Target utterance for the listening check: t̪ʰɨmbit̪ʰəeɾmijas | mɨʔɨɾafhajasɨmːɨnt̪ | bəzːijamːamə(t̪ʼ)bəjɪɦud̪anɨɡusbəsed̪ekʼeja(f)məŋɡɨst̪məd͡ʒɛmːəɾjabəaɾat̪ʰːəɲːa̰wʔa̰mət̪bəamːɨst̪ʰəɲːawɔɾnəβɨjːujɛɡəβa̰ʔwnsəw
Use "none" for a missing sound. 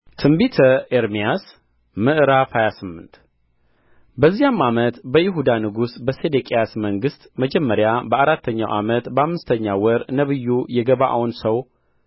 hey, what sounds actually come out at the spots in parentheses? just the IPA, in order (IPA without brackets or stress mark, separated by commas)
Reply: t̪, s